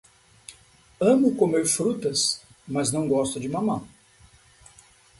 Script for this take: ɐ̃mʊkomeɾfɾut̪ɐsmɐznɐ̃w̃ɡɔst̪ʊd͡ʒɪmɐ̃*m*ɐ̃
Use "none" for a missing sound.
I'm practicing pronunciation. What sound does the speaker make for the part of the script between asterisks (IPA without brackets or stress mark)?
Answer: m